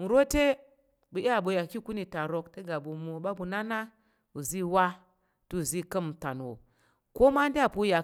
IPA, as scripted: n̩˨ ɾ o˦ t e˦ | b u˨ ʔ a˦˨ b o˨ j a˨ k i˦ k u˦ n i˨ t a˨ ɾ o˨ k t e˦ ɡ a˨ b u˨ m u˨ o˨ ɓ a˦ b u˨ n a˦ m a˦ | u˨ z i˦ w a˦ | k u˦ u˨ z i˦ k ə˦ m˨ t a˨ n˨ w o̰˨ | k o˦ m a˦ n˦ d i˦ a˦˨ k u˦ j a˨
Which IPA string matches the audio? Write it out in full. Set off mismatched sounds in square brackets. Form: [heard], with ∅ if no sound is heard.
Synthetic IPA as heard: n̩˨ ɾ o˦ t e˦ | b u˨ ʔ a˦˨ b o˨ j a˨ k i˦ k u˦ n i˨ t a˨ ɾ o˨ k t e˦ ɡ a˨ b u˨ m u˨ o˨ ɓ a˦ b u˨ n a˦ [n] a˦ | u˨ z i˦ w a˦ | [t] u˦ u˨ z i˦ k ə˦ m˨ t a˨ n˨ w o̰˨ | k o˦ m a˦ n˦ d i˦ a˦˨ [p] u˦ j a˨